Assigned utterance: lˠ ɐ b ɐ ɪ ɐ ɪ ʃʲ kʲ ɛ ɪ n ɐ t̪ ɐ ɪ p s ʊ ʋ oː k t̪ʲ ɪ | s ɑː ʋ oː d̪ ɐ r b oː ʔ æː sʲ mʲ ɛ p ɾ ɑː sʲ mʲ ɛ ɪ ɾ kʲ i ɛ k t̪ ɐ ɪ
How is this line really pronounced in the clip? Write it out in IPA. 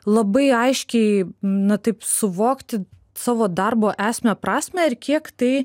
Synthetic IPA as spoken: lˠ ɐ b ɐ ɪ ɐ ɪ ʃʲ kʲ ɛ ɪ n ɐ t̪ ɐ ɪ p s ʊ ʋ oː k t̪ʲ ɪ | s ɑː ʋ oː d̪ ɐ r b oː ʔ æː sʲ mʲ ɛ p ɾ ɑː sʲ mʲ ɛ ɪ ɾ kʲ i ɛ k t̪ ɐ ɪ

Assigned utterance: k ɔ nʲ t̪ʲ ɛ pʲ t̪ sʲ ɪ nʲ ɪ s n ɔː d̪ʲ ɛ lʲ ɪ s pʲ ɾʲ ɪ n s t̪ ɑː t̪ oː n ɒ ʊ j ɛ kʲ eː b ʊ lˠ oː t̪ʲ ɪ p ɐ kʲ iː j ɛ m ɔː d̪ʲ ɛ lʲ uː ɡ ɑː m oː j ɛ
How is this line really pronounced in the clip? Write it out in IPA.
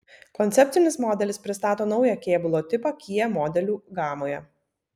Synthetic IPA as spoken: k ɔ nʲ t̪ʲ ɛ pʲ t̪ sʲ ɪ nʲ ɪ s m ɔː d̪ʲ ɛ lʲ ɪ s pʲ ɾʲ ɪ s t̪ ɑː t̪ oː n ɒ ʊ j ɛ kʲ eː b ʊ lˠ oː t̪ʲ ɪ p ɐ kʲ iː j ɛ m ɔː d̪ʲ ɛ lʲ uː ɡ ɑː m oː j ɛ

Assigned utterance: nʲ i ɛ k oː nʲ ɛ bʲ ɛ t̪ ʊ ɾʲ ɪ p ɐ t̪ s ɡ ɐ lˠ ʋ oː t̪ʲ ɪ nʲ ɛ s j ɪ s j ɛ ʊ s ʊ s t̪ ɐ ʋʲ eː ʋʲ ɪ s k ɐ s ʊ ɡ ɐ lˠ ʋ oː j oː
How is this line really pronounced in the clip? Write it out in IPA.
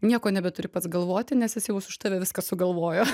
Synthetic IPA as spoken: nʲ i ɛ k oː nʲ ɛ bʲ ɛ t̪ ʊ ɾʲ ɪ p ɐ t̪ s ɡ ɐ lˠ ʋ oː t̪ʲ ɪ nʲ ɛ s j ɪ s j ɛ ʊ s ʊ ʃ t̪ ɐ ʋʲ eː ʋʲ ɪ s k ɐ s ʊ ɡ ɐ lˠ ʋ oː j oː

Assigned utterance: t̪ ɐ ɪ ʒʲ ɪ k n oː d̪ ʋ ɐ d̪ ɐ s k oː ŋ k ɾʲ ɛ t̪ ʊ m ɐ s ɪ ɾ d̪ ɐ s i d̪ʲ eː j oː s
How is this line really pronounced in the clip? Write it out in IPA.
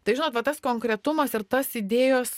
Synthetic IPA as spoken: t̪ ɐ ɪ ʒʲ ɪ n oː t̪ ʋ ɐ t̪ ɐ s k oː ŋ k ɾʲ ɛ t̪ ʊ m ɐ s ɪ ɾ t̪ ɐ s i d̪ʲ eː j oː s

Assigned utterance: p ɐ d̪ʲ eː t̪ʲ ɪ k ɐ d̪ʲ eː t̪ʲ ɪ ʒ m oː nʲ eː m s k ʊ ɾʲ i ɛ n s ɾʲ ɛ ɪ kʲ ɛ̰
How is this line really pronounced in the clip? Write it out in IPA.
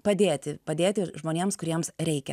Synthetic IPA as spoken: p ɐ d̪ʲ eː t̪ʲ ɪ p ɐ d̪ʲ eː t̪ʲ ɪ ʒ m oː nʲ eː m s k ʊ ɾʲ i ɛ m s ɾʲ ɛ ɪ kʲ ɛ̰

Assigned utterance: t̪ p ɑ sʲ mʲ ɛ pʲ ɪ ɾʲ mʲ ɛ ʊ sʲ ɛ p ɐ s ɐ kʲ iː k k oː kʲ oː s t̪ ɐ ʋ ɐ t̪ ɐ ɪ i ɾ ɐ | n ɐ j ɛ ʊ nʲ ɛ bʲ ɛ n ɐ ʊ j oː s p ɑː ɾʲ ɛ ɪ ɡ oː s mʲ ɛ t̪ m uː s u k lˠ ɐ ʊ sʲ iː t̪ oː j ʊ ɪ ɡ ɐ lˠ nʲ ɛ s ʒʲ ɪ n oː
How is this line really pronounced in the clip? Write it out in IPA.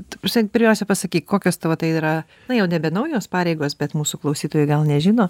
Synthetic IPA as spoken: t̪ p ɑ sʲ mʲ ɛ pʲ ɪ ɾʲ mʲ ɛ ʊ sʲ ɛ p ɐ s ɐ kʲ iː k k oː kʲ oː s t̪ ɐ ʋ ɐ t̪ ɐ ɪ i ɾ ɐ | n ɐ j ɛ ʊ nʲ ɛ bʲ ɛ n ɐ ʊ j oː s p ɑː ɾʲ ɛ ɪ ɡ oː s bʲ ɛ t̪ m uː s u k lˠ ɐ ʊ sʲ iː t̪ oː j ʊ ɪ ɡ ɐ lˠ nʲ ɛ ʒʲ ɪ n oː

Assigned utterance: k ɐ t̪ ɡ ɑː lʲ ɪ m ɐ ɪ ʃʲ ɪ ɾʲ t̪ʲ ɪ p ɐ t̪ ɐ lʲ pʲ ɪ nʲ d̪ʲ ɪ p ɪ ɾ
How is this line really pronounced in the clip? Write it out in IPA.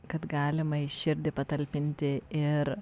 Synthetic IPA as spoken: k ɐ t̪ ɡ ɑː lʲ ɪ m ɐ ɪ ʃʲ ɪ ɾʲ d̪ʲ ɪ p ɐ t̪ ɐ lʲ pʲ ɪ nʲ t̪ʲ ɪ ɪ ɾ

